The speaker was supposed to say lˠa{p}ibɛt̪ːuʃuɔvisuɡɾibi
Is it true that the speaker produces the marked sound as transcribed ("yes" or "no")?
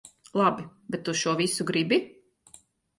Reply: no